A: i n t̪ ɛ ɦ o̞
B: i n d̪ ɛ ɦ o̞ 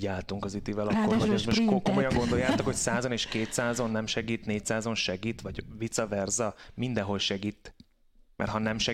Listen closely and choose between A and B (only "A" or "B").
B